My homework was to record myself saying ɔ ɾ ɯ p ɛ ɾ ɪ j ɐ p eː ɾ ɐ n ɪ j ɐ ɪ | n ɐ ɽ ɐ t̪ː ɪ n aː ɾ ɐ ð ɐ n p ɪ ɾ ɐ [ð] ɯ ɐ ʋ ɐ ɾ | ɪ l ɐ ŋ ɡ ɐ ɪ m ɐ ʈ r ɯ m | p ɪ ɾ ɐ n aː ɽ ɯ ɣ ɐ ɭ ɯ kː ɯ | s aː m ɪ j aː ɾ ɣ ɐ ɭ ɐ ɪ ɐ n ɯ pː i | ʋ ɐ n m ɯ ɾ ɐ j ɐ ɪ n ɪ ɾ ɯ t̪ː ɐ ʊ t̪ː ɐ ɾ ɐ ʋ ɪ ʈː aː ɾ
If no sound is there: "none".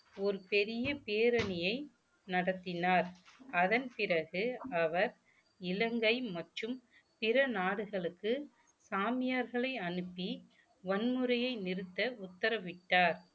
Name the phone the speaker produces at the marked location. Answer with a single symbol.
ɣ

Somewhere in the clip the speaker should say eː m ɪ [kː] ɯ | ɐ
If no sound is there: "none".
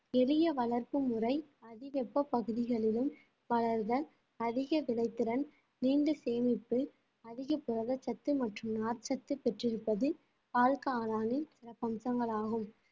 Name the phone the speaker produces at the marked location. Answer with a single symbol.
pː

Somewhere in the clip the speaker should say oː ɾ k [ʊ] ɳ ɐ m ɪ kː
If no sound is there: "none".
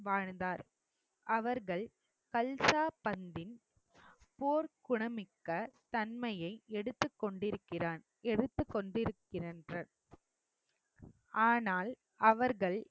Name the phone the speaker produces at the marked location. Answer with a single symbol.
ʊ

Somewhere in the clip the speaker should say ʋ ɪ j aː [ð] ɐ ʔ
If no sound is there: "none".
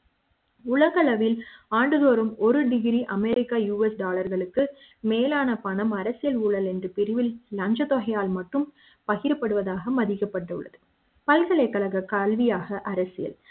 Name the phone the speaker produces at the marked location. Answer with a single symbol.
ɣ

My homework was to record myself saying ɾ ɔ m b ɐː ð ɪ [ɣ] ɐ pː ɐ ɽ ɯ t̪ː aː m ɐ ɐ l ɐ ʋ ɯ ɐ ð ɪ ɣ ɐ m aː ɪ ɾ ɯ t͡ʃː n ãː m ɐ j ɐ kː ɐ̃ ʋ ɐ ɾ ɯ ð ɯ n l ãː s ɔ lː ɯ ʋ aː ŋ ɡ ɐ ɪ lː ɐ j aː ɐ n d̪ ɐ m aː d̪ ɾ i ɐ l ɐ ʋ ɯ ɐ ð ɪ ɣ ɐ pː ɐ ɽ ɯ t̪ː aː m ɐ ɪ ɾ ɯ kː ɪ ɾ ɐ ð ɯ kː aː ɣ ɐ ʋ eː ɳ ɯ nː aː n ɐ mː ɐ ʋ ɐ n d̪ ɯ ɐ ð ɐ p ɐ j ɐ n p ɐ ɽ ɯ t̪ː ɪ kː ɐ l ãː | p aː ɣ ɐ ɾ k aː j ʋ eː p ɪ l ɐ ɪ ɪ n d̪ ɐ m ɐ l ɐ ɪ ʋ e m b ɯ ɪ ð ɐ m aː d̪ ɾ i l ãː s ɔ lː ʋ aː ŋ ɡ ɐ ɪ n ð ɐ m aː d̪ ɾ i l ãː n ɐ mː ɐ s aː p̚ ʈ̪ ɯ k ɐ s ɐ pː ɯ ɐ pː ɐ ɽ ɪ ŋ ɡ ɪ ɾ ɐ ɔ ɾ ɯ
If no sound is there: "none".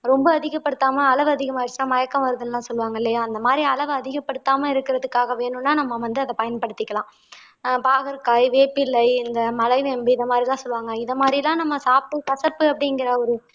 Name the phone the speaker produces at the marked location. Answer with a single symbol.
ɣ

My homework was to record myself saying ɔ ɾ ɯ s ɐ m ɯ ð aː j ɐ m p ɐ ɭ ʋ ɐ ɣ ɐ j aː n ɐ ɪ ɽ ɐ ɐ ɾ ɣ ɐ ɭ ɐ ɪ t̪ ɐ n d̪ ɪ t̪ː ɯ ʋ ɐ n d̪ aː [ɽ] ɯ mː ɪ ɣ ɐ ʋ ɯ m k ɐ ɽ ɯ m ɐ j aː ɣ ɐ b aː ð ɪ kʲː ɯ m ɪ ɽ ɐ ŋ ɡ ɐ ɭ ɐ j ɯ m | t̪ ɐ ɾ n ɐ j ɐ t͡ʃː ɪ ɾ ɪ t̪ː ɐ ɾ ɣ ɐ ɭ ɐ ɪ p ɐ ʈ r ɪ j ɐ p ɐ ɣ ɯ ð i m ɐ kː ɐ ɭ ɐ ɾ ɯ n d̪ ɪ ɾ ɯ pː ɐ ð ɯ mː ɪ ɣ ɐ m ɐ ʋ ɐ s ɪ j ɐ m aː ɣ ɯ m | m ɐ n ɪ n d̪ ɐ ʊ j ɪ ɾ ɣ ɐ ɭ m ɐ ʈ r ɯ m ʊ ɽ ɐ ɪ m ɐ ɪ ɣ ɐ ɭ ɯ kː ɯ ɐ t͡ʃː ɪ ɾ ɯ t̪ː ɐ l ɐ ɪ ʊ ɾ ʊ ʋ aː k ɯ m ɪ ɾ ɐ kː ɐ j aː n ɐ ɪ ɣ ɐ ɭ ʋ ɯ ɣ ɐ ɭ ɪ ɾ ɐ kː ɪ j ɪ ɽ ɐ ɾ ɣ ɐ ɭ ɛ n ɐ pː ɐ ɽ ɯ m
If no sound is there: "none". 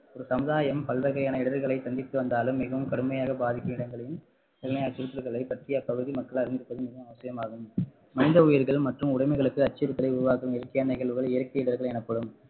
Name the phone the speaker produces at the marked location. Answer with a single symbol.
l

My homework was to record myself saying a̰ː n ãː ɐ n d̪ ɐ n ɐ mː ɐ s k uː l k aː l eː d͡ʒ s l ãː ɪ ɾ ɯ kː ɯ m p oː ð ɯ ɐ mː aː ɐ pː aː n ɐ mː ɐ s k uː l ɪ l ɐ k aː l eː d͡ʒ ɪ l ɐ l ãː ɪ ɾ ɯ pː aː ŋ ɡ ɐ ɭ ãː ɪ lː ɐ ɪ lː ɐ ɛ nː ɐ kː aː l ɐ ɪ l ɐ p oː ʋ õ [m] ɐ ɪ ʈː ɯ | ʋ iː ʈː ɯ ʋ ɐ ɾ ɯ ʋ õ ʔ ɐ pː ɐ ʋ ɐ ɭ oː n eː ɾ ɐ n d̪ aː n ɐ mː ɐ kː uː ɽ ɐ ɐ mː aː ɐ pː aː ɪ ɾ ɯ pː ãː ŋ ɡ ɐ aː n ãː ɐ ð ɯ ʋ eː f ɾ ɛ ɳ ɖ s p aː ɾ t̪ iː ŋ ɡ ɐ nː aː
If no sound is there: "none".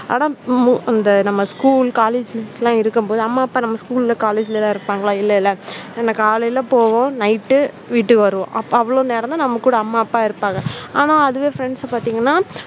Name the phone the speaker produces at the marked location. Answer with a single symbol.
n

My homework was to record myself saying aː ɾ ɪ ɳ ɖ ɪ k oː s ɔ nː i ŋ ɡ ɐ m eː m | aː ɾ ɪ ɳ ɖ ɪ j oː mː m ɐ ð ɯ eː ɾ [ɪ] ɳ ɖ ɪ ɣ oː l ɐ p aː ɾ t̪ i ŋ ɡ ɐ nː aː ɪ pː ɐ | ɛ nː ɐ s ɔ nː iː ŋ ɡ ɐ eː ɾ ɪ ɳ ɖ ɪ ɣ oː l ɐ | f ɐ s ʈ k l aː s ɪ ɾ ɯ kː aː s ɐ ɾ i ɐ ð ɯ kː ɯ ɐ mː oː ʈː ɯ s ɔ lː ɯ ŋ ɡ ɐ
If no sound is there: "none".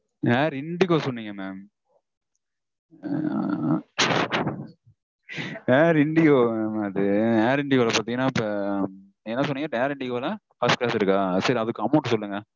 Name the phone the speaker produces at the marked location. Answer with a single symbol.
ɪ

